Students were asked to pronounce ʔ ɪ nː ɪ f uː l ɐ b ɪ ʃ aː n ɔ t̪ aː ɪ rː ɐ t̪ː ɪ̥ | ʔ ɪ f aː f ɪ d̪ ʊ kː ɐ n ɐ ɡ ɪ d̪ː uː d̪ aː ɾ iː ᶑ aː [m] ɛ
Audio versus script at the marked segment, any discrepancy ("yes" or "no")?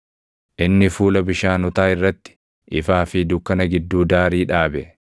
yes